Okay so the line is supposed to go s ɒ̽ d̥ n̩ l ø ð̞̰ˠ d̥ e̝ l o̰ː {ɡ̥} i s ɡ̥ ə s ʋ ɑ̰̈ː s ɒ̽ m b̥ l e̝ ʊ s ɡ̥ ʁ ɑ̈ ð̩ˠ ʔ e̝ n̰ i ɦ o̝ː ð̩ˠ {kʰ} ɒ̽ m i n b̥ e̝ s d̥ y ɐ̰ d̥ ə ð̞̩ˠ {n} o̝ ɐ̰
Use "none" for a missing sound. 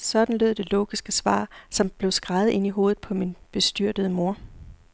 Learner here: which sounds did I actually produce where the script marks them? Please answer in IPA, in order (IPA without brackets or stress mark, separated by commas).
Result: ɡ̥, pʰ, m